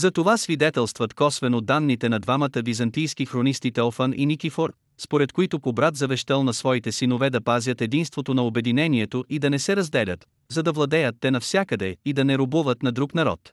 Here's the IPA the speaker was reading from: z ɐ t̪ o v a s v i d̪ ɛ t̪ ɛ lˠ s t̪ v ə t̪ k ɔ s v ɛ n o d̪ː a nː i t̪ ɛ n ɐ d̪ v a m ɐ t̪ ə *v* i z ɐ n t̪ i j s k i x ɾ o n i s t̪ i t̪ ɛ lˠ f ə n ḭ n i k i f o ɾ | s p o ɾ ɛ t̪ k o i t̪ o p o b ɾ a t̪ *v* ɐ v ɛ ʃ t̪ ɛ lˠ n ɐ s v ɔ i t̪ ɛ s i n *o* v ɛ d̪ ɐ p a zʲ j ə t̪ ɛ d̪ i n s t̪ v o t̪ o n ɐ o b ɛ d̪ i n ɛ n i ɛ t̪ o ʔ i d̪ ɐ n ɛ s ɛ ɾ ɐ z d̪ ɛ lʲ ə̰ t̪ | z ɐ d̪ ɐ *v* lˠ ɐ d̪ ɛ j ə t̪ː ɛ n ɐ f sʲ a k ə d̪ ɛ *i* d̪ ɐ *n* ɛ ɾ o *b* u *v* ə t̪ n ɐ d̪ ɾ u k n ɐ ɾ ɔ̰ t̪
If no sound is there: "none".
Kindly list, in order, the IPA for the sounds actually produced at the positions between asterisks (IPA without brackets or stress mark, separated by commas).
v, z, o, v, i, n, b, v